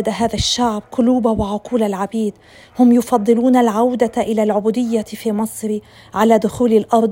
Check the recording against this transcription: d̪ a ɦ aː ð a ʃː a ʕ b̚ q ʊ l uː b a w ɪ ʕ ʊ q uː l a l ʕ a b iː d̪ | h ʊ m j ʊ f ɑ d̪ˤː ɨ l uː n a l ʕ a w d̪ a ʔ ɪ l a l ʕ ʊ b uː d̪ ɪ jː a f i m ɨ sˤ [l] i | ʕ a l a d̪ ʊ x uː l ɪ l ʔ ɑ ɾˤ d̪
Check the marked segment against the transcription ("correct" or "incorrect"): incorrect